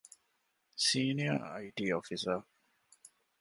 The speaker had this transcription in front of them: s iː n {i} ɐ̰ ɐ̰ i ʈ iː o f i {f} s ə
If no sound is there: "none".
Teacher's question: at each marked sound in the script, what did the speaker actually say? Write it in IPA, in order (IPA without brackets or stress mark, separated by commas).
i, none